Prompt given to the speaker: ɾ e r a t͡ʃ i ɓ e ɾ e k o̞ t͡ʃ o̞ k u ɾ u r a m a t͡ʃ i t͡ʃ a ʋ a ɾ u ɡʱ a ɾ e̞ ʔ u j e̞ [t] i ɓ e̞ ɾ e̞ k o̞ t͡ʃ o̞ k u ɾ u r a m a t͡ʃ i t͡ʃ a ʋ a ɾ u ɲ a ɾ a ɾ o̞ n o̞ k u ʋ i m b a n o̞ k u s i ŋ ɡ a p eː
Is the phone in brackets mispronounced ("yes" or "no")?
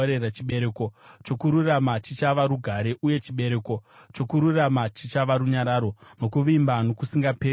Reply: yes